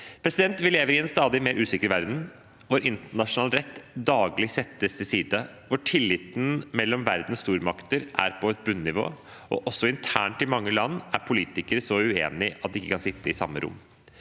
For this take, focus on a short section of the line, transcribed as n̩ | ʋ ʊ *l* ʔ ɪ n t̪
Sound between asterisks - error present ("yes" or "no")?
yes